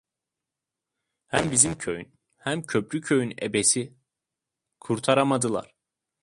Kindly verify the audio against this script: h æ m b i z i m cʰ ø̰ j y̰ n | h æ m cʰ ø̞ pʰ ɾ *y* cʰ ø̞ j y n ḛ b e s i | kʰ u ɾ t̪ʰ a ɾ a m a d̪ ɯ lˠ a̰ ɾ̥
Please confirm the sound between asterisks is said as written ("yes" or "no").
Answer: yes